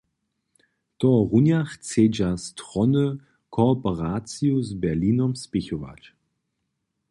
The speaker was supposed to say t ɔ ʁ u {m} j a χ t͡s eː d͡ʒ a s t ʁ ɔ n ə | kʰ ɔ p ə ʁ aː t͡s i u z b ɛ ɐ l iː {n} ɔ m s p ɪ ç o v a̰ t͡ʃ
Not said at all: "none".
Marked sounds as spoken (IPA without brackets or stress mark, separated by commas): n, n